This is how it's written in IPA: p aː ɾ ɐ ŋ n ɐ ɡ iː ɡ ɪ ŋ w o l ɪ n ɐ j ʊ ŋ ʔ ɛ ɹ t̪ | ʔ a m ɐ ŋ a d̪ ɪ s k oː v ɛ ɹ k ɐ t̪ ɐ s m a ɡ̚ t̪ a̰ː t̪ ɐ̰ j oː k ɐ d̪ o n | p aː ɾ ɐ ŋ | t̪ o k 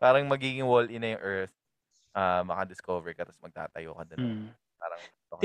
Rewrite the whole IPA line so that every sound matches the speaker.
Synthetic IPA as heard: p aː ɾ ɐ ŋ m ɐ ɡ iː ɡ ɪ ŋ w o l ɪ n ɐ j ʊ ŋ ʔ ɛ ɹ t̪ | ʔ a m ɐ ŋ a d̪ ɪ s k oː v ɛ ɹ k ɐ t̪ ɐ s m ɐ ɡ̚ t̪ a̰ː t̪ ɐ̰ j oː k ɐ d̪ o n | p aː ɾ ɐ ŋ | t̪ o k